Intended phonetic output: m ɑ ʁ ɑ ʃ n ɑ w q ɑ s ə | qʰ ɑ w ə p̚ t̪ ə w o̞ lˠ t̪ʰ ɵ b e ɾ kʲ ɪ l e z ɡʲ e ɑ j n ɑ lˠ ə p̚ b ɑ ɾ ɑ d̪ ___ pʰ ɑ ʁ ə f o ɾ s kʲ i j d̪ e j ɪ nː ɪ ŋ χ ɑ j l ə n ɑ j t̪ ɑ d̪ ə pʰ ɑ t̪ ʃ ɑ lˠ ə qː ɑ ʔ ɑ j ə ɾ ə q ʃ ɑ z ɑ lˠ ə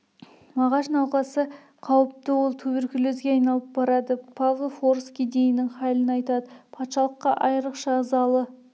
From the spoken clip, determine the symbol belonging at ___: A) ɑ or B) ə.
B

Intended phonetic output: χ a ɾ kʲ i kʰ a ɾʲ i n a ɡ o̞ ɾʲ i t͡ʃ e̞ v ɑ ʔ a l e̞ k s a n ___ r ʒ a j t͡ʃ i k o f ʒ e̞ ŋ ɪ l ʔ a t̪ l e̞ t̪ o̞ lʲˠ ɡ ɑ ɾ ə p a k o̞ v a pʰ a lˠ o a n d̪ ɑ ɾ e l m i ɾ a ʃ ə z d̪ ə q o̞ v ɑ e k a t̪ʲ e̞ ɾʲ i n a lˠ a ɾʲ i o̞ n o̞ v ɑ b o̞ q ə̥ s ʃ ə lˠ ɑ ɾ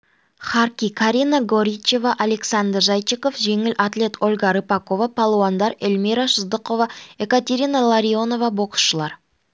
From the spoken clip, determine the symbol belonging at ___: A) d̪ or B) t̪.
A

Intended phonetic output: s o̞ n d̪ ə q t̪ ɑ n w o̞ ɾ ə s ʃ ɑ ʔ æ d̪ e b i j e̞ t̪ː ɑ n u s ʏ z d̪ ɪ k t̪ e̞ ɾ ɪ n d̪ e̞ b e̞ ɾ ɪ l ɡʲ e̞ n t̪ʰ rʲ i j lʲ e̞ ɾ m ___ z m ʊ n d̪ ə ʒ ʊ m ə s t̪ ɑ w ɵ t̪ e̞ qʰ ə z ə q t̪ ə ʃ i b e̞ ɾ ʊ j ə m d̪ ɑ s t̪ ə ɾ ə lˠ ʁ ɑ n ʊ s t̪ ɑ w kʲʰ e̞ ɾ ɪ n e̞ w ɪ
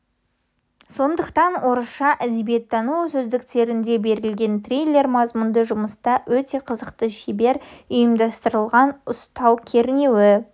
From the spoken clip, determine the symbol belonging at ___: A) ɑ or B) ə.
A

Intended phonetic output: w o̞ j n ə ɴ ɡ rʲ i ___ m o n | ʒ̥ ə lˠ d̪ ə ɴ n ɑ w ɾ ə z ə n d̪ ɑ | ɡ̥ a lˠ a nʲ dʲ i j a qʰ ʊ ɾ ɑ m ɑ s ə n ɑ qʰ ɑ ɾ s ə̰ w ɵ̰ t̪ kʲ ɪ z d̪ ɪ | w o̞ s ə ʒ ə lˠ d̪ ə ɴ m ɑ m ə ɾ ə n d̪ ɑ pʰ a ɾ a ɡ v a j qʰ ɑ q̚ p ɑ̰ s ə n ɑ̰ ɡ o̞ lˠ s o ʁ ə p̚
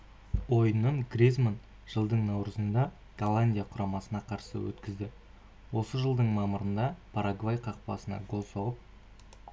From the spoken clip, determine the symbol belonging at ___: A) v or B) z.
B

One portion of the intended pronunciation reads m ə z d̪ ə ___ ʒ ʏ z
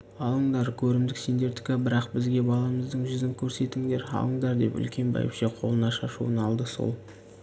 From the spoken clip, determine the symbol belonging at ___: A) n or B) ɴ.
B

